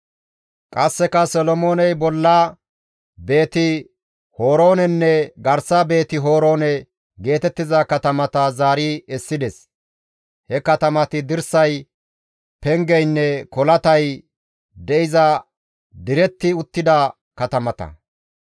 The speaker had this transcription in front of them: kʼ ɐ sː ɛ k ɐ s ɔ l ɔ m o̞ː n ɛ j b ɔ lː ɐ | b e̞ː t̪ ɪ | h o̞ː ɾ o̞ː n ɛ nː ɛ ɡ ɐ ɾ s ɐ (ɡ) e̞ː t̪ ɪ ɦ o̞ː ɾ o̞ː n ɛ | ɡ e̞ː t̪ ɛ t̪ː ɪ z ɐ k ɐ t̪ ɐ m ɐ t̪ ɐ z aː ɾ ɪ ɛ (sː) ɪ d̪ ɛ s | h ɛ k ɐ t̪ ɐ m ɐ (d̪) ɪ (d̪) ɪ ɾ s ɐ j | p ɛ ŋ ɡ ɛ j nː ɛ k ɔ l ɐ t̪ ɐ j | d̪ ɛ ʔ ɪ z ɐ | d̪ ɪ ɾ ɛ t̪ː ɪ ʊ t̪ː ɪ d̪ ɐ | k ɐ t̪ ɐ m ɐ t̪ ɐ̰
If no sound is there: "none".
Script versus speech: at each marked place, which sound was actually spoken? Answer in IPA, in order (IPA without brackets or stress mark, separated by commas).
b, sː, t̪, d̪